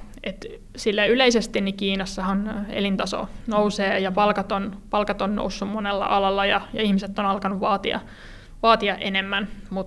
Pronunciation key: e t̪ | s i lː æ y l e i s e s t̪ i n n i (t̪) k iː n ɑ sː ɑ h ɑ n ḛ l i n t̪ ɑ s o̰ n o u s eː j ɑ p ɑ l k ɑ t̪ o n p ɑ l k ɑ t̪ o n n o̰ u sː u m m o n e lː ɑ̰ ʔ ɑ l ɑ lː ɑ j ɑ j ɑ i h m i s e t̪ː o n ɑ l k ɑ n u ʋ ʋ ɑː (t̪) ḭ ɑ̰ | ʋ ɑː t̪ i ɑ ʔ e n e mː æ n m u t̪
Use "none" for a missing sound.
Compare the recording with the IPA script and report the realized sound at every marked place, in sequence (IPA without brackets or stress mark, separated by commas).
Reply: none, t̪